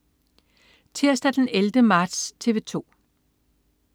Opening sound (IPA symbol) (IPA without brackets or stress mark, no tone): t͡sʰ